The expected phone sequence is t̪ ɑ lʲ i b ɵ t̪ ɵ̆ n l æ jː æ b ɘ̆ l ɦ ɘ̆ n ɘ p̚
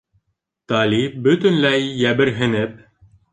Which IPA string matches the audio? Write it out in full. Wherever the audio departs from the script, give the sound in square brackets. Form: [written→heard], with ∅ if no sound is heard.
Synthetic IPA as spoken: t̪ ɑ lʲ i b ɵ t̪ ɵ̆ n l æ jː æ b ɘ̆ [l→ɾ] ɦ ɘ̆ n ɘ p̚